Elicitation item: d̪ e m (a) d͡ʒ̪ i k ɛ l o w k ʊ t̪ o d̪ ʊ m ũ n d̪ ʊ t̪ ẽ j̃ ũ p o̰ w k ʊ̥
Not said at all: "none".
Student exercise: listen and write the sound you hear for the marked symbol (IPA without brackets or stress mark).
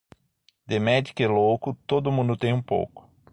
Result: ɛ